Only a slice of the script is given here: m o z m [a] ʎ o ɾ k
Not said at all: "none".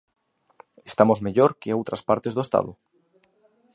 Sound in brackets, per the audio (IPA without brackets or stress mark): e